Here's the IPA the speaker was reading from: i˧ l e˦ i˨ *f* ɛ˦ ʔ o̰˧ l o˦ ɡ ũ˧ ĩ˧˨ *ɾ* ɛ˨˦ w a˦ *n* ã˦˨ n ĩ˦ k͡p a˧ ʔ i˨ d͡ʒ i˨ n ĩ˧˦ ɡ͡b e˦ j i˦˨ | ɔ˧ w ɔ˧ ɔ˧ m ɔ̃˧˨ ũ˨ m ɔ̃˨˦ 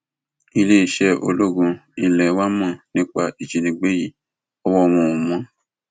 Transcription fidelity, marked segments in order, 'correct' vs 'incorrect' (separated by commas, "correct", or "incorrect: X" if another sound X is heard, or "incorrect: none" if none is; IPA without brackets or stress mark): incorrect: ʃ, incorrect: l, incorrect: m